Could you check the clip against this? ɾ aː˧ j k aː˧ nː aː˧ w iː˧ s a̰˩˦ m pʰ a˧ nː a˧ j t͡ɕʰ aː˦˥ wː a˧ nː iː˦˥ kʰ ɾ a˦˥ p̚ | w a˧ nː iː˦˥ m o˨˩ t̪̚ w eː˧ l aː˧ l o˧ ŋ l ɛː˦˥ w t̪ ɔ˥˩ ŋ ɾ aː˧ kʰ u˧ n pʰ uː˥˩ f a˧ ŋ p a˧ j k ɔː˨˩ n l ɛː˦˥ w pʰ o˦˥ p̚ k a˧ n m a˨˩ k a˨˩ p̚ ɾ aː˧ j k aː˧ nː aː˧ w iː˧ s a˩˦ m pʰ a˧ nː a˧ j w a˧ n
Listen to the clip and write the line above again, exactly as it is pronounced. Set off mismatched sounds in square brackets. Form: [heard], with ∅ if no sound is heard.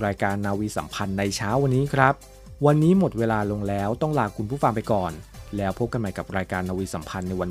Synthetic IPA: ɾ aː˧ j k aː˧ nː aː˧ w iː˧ s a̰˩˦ m pʰ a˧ nː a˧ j t͡ɕʰ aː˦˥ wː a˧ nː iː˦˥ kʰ ɾ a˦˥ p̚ | w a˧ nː iː˦˥ m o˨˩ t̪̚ w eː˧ l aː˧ l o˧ ŋ l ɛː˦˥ w t̪ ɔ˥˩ ŋ [l] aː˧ kʰ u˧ n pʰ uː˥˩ f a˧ ŋ p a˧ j k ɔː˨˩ n l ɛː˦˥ w pʰ o˦˥ p̚ k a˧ n m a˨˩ k a˨˩ p̚ ɾ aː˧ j k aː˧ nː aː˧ w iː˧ s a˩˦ m pʰ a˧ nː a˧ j w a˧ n